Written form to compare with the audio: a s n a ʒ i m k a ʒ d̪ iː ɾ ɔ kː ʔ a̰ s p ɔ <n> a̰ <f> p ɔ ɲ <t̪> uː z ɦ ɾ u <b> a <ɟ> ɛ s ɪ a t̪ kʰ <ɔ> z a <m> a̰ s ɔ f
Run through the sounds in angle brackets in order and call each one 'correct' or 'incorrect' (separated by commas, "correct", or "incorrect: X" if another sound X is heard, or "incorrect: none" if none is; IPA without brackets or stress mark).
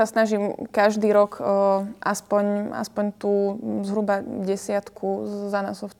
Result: incorrect: ɲ, incorrect: s, correct, correct, correct, incorrect: u, incorrect: n